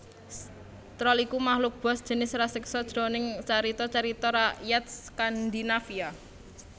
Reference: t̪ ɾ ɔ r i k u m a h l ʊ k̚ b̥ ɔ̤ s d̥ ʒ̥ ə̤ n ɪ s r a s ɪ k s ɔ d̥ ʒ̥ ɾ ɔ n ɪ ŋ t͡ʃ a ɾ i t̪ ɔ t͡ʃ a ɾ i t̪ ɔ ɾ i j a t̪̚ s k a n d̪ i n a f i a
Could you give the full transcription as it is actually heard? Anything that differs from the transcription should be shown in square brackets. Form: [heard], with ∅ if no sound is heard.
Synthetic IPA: t̪ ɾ ɔ [l] i k u m a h l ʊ k̚ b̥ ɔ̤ s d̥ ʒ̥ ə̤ n ɪ s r a s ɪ k s ɔ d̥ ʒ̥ ɾ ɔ n ɪ ŋ t͡ʃ a ɾ i t̪ ɔ t͡ʃ a ɾ i t̪ ɔ ɾ [a] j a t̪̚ s k a n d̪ i n a f i a